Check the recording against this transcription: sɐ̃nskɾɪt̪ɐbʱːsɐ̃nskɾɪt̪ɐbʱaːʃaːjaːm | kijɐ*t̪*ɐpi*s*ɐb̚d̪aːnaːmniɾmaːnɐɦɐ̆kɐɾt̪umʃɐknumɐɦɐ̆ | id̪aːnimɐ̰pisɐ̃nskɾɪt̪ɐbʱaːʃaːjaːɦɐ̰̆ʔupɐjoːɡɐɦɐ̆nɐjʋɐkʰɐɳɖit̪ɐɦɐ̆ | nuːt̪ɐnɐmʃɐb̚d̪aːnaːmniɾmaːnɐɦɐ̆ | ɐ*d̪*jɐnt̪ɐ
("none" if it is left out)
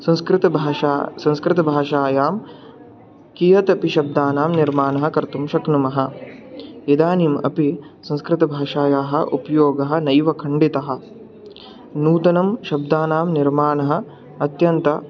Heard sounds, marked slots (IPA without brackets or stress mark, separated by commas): t̪, ʃ, t̪